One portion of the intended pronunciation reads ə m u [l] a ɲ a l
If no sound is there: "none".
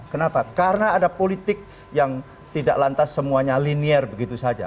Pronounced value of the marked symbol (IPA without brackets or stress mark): none